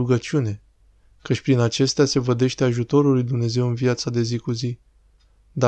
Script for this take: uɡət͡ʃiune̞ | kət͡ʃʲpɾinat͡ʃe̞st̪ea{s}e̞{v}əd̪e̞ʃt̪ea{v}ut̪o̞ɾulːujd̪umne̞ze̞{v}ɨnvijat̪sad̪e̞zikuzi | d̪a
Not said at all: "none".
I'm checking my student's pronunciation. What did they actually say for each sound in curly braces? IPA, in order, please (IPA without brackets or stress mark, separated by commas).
s, v, ʒ, w